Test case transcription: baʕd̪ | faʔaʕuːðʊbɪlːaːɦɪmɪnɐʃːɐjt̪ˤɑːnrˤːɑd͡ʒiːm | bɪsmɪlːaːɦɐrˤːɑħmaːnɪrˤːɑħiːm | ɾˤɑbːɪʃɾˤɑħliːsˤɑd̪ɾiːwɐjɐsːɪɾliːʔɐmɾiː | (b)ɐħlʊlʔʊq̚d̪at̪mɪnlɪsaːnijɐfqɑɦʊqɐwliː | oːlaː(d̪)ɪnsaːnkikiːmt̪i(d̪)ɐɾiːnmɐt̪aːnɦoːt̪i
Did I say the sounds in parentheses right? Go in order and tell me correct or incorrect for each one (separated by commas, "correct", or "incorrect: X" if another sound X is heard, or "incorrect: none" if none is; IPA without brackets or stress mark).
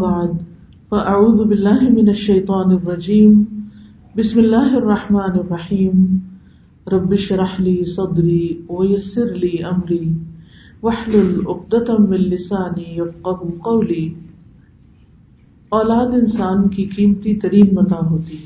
incorrect: w, correct, incorrect: t̪